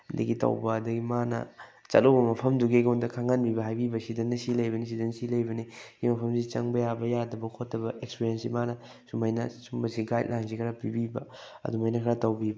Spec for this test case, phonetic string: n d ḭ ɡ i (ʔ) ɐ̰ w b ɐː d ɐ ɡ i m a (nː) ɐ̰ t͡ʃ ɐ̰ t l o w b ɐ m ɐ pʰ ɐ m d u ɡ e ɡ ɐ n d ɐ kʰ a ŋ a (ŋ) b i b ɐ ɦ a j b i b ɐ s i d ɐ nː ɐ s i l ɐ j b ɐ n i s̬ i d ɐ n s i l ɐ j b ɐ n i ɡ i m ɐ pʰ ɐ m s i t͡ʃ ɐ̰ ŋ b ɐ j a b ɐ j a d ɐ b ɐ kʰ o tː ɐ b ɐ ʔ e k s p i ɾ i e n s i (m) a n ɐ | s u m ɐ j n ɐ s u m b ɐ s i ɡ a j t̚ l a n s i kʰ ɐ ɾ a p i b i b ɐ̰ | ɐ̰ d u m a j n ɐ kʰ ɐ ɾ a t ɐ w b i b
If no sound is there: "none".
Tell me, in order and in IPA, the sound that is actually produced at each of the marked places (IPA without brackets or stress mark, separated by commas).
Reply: t, n, n, m